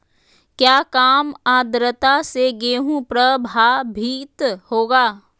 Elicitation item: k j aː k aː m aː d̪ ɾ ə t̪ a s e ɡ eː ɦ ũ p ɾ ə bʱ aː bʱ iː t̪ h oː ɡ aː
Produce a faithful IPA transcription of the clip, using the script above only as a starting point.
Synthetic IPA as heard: k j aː k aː m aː d̪ ɾ ə t̪ a s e ɡ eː ɦ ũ p ɾ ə bʱ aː bʱ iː t̪ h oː ɡ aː

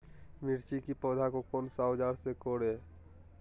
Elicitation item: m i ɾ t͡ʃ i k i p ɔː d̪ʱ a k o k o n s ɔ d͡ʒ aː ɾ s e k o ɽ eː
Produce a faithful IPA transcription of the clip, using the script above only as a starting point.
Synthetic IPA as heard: m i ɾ t͡ʃ i k i p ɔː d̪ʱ a k o k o n s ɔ d͡ʒ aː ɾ s e k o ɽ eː

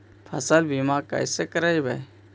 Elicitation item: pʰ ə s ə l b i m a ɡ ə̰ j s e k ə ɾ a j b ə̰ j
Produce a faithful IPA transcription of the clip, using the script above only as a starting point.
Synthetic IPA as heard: pʰ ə s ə l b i m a k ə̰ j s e k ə ɾ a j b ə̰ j

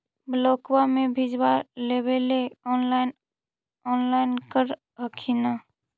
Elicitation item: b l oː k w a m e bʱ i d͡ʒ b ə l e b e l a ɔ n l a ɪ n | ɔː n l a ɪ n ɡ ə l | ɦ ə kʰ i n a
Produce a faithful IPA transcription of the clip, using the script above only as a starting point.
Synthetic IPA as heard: b l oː k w a m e bʱ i d͡ʒ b a l e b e l e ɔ n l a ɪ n | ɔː n l a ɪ n k ə ɾ | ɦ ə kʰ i n a

